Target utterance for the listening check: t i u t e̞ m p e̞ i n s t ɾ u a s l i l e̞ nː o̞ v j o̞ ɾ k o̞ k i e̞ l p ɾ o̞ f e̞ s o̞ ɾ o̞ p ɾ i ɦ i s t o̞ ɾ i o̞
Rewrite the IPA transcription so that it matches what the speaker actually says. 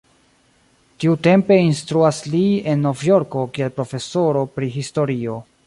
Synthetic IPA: t i u t e̞ m p e̞ i n s t ɾ u a s l i e̞ nː o̞ v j o̞ ɾ k o̞ k i e̞ l p ɾ o̞ f e̞ s o̞ ɾ o̞ p ɾ i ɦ i s t o̞ ɾ i o̞